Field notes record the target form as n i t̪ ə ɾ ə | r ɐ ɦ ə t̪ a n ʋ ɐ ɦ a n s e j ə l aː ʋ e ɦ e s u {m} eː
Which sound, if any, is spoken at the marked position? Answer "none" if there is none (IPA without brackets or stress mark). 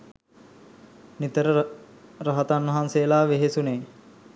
n